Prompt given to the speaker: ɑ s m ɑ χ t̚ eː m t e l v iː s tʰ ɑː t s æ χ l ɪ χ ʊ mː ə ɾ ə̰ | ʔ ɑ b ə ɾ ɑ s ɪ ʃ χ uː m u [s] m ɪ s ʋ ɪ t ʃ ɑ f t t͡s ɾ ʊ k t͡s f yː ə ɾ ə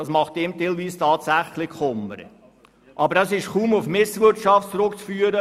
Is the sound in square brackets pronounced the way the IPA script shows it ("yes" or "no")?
no